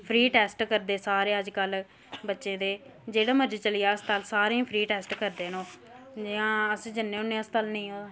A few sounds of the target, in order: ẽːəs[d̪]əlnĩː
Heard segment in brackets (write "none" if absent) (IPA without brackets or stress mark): t̪